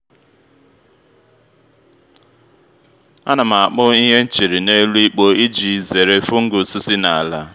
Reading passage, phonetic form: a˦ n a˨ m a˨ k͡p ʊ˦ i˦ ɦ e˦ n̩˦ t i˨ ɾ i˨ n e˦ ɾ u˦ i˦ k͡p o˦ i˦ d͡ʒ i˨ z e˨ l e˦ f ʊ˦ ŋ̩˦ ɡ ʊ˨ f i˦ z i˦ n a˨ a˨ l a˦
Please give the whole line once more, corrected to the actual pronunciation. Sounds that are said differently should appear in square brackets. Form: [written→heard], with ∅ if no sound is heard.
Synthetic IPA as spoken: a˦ n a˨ m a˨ k͡p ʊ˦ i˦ ɦ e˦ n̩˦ [t→t͡ʃ] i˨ ɾ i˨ n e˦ [ɾ→l] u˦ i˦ k͡p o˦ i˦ d͡ʒ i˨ z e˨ [l→ɾ] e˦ f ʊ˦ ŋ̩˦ ɡ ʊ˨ [f→s] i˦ [z→s] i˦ n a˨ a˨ l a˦

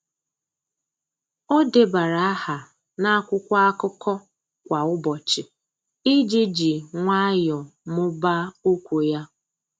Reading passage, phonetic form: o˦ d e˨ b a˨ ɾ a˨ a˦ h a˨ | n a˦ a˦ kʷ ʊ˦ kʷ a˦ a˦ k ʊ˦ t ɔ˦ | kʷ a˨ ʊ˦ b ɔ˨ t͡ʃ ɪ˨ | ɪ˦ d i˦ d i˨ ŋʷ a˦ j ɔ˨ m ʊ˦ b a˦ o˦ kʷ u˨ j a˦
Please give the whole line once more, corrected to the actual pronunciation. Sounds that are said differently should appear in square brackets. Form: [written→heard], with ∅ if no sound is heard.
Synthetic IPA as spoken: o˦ d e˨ b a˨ ɾ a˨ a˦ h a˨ | n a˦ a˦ kʷ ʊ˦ kʷ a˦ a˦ k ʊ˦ [t→k] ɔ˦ | kʷ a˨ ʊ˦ b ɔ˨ t͡ʃ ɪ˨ | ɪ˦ [d→d͡ʒ] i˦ [d→d͡ʒ] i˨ ŋʷ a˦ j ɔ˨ m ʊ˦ b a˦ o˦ kʷ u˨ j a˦

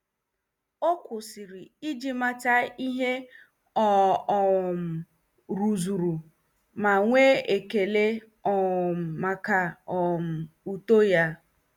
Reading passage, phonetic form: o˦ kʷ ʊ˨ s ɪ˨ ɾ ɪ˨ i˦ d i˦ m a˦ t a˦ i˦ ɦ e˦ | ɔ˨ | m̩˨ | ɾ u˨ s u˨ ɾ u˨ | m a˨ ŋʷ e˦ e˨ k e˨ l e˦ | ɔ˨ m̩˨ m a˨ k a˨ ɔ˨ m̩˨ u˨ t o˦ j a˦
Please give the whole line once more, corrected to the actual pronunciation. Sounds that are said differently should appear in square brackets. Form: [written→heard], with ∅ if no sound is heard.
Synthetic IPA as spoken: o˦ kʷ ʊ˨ s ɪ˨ ɾ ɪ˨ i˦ [d→d͡ʒ] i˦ m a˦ t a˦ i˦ ɦ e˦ | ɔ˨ | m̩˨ | ɾ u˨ [s→z] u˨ ɾ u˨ | m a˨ ŋʷ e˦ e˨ k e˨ l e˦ | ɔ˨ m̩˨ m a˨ k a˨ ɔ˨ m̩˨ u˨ t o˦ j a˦

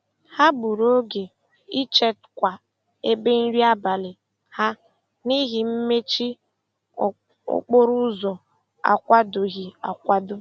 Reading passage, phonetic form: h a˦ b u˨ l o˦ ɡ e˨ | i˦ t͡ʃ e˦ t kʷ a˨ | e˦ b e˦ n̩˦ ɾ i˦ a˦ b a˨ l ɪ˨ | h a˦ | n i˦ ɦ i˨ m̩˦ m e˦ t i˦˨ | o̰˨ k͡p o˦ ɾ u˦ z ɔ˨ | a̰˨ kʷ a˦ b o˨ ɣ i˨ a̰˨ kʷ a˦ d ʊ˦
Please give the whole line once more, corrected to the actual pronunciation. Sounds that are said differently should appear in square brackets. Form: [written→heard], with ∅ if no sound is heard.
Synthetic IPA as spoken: h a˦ b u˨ [l→ɾ] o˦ ɡ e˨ | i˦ t͡ʃ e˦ t kʷ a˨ | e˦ b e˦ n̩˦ ɾ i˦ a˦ b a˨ l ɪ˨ | h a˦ | n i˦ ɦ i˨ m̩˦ m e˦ [t→t͡ʃ] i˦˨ | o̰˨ k͡p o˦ ɾ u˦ z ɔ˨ | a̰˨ kʷ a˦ [b→d] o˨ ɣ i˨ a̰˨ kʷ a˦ d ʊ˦

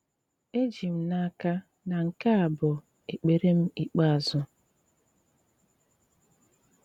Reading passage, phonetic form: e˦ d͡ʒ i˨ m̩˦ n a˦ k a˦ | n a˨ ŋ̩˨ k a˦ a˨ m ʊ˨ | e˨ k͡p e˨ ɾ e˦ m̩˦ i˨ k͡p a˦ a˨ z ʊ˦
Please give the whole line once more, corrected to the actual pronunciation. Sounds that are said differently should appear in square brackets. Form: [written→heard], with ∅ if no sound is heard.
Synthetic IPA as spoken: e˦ d͡ʒ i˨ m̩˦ n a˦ k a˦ | n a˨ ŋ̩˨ k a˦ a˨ [m→b] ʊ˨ | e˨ k͡p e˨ ɾ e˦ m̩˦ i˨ k͡p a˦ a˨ z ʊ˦

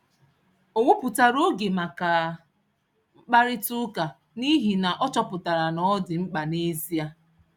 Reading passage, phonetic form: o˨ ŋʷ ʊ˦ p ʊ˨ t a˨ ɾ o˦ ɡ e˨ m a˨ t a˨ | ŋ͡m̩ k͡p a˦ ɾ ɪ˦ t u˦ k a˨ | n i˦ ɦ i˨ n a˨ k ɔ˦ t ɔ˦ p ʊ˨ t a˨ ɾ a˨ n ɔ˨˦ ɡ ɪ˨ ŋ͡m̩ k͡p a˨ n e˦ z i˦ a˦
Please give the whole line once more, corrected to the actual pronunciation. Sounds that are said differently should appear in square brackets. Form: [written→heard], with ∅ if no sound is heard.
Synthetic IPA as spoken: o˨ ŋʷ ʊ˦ p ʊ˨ t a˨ ɾ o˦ ɡ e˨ m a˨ [t→k] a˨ | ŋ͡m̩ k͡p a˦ ɾ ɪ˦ t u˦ k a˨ | n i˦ ɦ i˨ n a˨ [k→ʔ] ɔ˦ [t→t͡ʃ] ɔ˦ p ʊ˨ t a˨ ɾ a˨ n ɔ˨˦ [ɡ→d] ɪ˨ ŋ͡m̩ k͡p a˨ n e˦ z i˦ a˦

